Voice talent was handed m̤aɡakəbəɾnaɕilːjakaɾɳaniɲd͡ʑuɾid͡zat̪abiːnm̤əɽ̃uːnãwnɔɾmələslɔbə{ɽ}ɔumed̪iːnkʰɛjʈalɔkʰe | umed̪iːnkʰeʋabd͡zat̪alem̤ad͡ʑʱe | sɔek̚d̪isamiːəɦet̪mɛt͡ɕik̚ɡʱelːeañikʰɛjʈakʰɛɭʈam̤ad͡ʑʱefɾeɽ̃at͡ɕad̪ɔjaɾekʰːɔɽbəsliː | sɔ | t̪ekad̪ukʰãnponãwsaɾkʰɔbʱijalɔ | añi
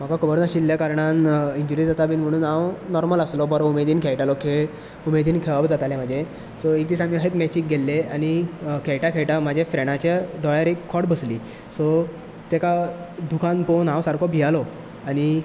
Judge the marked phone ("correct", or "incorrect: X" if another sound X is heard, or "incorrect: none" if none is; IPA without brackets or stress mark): incorrect: ɾ